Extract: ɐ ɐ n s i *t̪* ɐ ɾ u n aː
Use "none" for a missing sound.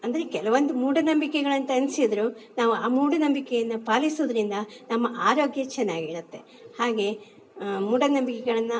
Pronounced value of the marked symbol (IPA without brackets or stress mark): d̪